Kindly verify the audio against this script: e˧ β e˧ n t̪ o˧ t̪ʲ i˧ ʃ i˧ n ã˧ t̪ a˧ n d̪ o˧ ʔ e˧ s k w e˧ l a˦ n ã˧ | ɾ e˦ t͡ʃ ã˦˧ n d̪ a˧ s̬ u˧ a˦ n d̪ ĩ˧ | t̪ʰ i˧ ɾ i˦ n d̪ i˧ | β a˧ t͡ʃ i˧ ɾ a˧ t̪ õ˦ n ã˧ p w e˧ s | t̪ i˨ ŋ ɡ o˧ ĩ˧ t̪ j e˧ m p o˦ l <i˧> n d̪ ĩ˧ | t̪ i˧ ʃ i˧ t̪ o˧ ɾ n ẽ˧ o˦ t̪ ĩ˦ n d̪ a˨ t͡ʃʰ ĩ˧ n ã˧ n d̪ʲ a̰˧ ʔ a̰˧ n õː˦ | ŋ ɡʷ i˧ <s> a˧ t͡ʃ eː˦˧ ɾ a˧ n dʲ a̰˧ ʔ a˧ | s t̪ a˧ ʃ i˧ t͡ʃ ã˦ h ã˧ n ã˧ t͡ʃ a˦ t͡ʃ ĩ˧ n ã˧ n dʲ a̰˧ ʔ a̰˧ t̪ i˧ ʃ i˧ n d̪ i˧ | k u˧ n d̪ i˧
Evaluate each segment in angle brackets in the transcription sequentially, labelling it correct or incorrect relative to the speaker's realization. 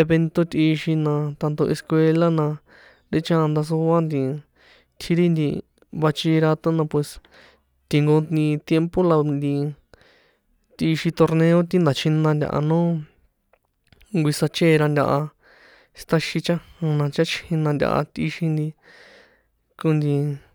incorrect: a˧, correct

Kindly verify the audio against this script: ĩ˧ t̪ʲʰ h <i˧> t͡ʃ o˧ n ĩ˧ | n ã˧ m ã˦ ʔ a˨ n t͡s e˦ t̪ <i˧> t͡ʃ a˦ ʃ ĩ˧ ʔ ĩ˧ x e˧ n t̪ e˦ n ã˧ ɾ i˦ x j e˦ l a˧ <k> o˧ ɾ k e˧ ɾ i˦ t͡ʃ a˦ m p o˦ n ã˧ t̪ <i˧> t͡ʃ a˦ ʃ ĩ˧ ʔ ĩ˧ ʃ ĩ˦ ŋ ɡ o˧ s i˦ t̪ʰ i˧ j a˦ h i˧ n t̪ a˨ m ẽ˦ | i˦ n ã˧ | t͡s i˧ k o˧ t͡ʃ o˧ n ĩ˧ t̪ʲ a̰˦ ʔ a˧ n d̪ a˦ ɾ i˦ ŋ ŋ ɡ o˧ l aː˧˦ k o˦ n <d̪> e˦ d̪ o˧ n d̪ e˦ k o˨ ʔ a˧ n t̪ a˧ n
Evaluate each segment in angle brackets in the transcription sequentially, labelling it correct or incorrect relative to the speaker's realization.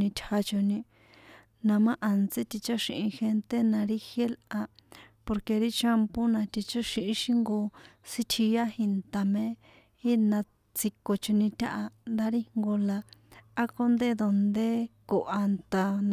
incorrect: a˧, correct, incorrect: p, correct, correct

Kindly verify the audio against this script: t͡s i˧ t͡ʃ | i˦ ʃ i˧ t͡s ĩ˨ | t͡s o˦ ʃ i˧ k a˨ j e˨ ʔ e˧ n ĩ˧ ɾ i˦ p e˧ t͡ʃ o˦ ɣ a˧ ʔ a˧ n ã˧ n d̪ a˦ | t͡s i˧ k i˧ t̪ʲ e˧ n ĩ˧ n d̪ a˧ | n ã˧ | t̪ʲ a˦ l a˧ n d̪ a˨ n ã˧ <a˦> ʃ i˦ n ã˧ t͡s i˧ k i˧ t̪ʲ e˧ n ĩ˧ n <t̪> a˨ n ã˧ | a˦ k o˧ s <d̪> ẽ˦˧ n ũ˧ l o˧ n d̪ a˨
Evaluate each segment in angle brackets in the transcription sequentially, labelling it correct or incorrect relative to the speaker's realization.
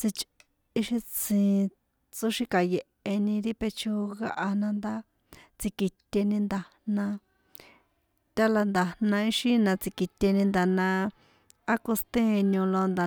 incorrect: i˦, incorrect: d̪, incorrect: t̪

